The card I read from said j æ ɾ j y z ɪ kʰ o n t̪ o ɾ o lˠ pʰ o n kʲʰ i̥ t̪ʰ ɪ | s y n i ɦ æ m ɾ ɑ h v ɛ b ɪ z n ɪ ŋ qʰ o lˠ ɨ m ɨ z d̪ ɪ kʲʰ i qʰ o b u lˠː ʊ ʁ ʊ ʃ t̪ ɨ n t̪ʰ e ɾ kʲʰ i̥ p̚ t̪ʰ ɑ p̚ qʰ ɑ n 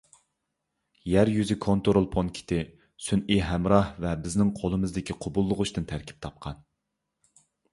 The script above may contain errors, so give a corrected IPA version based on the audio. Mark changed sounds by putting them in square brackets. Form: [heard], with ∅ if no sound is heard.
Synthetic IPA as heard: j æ ɾ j y z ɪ kʰ o n t̪ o ɾ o lˠ pʰ o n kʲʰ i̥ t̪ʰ ɪ | s y n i ɦ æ m ɾ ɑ h v ɛ b ɪ z n ɪ ŋ qʰ o lˠ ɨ m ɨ z d̪ ɪ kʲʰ i qʰ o b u lˠː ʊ ʁ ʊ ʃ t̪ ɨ n t̪ʰ [æ] ɾ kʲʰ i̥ p̚ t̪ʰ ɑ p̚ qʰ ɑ n